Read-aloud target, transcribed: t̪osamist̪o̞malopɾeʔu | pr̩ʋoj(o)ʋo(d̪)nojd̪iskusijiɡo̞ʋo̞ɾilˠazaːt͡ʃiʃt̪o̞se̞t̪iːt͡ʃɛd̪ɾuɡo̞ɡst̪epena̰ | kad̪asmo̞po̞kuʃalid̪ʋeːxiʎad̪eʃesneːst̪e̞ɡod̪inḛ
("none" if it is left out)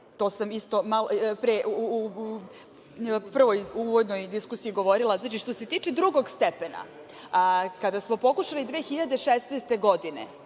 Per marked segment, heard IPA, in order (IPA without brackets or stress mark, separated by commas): u, d̪